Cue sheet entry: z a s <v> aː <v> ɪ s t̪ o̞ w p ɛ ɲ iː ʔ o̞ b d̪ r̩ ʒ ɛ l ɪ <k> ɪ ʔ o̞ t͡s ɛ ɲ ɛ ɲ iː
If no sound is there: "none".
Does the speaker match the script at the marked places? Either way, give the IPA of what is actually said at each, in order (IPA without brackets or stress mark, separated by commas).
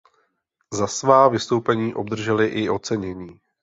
v, v, ʔ